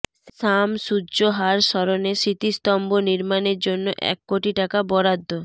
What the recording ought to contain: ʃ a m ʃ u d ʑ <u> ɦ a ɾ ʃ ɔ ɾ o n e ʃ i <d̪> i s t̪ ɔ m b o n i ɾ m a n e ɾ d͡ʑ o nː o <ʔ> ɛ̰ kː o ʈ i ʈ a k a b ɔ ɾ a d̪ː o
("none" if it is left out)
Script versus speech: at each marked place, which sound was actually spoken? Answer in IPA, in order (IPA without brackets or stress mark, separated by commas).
o, t̪, ʔ